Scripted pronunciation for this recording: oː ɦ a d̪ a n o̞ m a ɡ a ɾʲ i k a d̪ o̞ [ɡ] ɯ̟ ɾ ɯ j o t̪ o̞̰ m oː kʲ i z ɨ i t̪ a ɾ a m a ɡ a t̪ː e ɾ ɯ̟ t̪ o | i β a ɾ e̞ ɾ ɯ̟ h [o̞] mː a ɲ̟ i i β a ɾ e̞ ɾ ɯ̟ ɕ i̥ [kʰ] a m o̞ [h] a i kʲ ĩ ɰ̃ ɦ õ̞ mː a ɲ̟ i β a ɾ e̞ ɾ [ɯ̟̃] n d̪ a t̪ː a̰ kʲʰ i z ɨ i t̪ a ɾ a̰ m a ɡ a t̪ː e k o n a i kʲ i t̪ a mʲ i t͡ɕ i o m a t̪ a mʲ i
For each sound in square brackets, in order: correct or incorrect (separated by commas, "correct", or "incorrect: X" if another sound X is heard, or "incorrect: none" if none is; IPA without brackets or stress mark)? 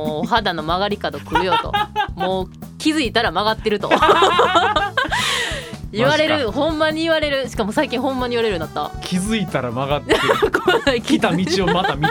incorrect: k, incorrect: õ̞, incorrect: k, incorrect: s, incorrect: ɯ̟